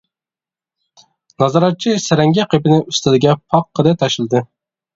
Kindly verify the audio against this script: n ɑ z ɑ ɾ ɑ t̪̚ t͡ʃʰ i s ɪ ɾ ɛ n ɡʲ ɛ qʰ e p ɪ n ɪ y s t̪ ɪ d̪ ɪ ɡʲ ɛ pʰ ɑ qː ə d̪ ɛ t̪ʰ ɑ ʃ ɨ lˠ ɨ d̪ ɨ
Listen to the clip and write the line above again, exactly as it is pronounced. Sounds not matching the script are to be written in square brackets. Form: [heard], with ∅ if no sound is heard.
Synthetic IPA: n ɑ z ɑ ɾ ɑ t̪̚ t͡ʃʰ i s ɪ ɾ ɛ [ŋ] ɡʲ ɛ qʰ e p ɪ n ɪ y s t̪ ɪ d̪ ɪ ɡʲ ɛ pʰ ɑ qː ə d̪ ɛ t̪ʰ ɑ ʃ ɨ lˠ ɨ d̪ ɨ